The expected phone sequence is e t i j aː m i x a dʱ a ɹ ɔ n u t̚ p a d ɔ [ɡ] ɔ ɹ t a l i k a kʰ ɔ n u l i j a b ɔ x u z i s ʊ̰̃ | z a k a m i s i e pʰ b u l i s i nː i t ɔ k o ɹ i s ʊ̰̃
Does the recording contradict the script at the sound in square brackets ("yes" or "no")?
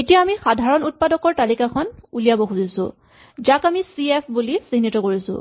yes